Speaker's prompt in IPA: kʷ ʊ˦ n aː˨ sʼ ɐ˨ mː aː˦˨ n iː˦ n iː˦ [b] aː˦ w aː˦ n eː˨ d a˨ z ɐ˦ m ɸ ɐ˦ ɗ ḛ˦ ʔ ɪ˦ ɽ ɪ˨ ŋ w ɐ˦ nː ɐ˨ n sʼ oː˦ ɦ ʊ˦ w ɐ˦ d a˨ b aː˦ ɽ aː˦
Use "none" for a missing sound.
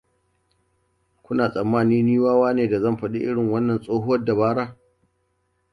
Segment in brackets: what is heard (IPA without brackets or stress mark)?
w